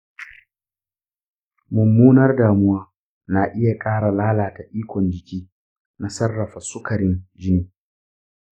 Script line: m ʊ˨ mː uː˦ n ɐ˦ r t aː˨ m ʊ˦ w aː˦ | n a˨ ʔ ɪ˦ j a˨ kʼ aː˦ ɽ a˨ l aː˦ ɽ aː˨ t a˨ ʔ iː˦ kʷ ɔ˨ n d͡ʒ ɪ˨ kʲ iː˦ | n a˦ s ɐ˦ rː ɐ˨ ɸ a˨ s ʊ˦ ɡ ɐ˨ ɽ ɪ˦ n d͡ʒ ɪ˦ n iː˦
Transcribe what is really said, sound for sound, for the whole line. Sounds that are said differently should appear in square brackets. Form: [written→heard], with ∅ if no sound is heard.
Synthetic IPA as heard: m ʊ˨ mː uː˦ n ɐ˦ r [t→d] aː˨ m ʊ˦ w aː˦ | n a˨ ʔ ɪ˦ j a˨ kʼ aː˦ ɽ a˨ l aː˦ [ɽ→l] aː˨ t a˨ ʔ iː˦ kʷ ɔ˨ n d͡ʒ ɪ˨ kʲ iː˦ | n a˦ s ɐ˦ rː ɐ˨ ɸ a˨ s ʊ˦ [ɡ→k] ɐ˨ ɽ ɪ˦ n d͡ʒ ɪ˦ n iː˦